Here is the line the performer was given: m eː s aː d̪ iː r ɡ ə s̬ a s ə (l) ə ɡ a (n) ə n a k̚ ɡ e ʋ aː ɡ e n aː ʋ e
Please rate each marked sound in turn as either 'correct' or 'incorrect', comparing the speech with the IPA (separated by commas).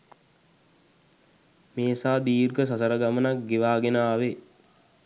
incorrect, incorrect